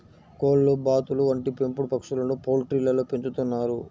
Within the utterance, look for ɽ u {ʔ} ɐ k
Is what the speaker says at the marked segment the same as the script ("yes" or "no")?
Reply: no